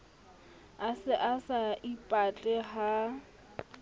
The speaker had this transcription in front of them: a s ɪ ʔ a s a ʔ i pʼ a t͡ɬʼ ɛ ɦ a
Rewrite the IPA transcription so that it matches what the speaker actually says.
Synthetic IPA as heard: a s ɪ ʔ a s a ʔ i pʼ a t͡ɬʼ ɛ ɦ a